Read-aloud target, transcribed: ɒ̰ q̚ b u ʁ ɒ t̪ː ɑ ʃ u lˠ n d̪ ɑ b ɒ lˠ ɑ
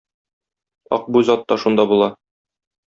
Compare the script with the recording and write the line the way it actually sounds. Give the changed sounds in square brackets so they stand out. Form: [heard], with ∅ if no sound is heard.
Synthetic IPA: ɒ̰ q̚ b u [z] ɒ t̪ː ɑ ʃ u [∅] n d̪ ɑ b [u] lˠ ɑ